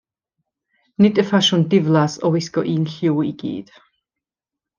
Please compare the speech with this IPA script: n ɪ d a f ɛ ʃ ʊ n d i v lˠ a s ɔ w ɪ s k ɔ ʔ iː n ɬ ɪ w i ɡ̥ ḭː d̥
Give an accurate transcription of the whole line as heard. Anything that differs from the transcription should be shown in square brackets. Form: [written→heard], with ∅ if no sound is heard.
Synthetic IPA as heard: n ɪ d [a→ə] f [ɛ→a] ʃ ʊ n d [i→ɪ] v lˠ a s ɔ w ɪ s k ɔ ʔ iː n ɬ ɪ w i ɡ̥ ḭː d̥